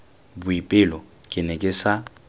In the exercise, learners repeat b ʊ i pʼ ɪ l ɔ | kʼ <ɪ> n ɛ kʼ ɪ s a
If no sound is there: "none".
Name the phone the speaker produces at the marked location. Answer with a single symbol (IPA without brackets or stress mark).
ɪ